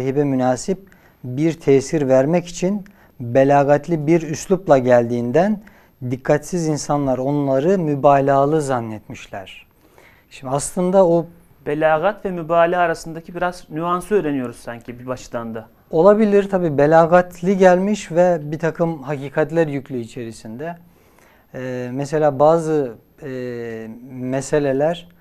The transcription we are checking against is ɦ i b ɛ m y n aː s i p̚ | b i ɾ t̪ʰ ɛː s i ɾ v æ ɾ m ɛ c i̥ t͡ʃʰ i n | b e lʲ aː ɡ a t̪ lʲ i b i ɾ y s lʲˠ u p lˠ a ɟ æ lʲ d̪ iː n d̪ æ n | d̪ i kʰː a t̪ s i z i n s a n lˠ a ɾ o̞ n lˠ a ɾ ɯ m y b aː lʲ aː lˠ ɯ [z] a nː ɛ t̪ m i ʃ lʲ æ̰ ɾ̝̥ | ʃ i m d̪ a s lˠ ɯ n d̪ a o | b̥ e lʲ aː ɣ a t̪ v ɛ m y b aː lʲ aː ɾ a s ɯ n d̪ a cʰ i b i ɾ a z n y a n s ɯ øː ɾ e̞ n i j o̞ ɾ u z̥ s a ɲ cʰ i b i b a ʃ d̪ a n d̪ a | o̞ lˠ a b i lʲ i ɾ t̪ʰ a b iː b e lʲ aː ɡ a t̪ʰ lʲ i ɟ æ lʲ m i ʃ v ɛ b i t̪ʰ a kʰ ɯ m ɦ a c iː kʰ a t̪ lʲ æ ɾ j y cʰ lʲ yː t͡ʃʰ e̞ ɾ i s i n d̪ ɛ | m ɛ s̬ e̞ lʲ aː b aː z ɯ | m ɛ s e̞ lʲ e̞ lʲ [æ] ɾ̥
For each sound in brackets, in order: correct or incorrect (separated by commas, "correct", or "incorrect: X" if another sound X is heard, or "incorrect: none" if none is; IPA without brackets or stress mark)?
correct, correct